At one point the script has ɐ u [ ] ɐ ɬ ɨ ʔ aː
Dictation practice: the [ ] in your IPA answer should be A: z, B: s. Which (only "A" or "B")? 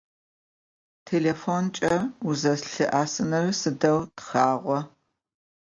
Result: A